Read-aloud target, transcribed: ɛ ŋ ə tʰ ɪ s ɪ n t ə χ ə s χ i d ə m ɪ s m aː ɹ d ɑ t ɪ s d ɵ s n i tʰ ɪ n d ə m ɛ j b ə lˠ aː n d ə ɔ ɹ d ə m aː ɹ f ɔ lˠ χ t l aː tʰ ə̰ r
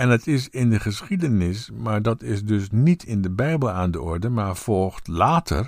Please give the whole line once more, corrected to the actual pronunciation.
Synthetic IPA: ɛ n ə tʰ ɪ s ɪ n d ə χ ə s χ i d ə n ɪ s m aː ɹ d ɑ t ɪ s d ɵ s n i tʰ ɪ n d ə b ɛ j b ə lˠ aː n d ə ɔ ɹ d ə m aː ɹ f ɔ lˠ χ t l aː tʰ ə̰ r